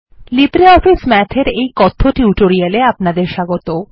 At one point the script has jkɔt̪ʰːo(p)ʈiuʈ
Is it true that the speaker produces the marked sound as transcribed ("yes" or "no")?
no